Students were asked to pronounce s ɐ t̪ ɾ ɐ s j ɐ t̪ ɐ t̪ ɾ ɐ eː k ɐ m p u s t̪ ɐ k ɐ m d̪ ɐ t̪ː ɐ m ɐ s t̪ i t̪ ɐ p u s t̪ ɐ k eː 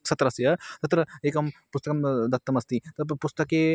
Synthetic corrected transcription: s ɐ t̪ ɾ ɐ s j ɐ t̪ ɐ t̪ ɾ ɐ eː k ɐ m p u s t̪ ɐ k ɐ m d̪ ɐ t̪ː ɐ m ɐ s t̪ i t̪ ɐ p u s t̪ ɐ k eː